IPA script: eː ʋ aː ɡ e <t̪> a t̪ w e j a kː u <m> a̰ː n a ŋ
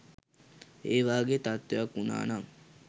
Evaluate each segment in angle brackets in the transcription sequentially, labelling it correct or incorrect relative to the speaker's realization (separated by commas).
correct, incorrect